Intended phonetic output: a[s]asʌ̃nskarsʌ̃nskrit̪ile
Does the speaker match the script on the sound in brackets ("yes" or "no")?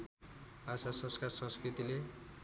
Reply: yes